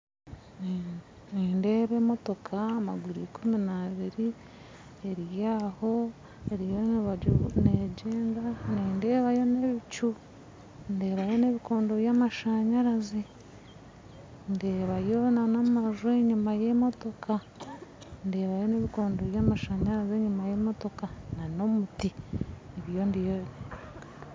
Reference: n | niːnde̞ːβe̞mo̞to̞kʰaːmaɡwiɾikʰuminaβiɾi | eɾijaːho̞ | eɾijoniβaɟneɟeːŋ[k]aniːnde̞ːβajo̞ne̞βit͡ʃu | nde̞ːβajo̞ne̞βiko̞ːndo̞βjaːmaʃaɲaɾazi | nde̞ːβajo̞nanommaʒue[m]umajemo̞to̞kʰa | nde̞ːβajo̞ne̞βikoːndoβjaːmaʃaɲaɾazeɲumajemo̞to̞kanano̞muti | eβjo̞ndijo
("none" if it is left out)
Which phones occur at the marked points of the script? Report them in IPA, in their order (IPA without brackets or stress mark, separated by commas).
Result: ɡ, ɲ